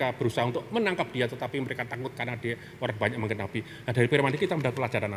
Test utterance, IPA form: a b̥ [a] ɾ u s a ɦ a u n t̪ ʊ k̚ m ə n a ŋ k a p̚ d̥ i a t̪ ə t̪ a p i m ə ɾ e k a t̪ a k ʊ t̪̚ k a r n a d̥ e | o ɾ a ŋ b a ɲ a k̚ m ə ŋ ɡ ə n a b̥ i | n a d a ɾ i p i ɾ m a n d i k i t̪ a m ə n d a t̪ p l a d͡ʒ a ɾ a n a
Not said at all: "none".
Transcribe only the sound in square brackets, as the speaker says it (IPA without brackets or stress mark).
ə